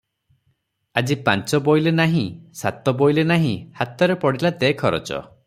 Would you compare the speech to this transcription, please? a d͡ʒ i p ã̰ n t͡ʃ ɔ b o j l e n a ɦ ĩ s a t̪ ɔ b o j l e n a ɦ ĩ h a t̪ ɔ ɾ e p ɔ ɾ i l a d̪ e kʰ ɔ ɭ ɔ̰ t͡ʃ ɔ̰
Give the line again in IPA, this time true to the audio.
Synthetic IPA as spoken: a d͡ʒ i p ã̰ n t͡ʃ ɔ b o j l e n a ɦ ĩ s a t̪ ɔ b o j l e n a ɦ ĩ h a t̪ ɔ ɾ e p ɔ ɽ i l a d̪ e kʰ ɔ ɾ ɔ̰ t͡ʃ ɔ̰